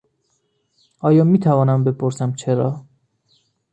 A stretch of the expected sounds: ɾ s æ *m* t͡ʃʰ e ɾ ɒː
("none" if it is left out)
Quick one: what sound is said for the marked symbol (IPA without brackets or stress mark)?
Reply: m